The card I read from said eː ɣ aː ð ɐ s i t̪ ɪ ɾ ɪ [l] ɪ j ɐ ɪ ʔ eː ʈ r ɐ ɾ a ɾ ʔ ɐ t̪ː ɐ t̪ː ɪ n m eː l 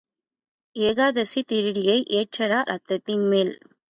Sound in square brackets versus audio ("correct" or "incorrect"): incorrect